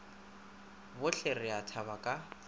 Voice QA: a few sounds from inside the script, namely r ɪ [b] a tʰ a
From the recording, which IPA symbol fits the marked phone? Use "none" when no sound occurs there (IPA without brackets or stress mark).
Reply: none